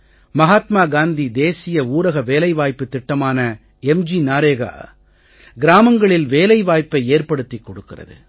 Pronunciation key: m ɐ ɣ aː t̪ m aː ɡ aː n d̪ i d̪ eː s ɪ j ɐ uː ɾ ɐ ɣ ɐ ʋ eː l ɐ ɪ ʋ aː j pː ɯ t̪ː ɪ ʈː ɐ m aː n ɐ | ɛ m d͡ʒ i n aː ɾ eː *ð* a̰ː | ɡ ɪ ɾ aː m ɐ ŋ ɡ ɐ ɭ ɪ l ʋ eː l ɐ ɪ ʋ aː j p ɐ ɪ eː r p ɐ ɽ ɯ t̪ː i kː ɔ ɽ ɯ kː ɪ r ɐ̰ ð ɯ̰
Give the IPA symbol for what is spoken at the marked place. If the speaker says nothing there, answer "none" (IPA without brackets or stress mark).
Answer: ɣ